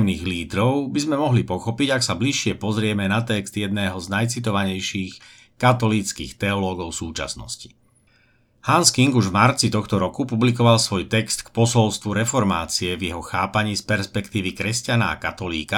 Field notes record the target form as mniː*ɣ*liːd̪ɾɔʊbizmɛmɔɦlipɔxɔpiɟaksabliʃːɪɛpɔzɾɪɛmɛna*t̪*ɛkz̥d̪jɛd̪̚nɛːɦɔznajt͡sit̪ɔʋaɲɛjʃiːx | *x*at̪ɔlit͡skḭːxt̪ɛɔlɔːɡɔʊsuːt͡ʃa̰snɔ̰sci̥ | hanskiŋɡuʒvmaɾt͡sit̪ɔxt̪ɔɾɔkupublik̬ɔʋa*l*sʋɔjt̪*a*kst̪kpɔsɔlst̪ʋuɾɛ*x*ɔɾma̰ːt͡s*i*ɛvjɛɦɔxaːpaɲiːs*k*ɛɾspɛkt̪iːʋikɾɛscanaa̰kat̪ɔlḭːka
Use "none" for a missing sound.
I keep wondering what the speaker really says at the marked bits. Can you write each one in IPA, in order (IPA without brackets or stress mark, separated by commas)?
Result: ɣ, t̪, k, l, ɛ, f, i, p